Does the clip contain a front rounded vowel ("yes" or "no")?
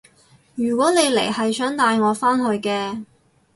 yes